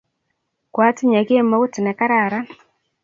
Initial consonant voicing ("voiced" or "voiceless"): voiceless